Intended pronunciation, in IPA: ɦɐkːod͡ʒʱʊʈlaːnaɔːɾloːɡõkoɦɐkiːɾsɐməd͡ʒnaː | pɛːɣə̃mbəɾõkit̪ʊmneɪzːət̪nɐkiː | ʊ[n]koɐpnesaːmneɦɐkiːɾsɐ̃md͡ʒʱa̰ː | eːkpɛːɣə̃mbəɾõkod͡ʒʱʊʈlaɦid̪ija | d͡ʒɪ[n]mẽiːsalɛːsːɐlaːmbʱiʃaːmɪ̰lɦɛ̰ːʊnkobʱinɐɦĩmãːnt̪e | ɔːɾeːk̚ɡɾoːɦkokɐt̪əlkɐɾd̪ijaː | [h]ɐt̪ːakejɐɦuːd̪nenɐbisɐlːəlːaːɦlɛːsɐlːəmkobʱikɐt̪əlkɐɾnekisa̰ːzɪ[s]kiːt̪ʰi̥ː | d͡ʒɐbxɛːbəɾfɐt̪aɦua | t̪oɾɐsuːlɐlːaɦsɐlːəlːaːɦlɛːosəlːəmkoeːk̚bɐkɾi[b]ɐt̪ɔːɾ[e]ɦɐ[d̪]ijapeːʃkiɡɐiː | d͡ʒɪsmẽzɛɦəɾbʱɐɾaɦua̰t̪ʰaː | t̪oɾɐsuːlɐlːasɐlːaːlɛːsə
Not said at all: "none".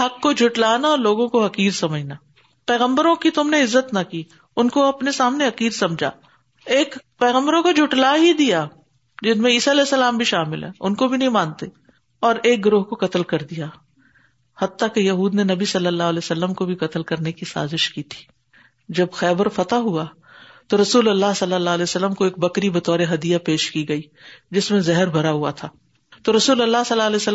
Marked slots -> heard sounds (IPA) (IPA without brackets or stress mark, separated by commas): n, n, h, ʃ, b, e, d̪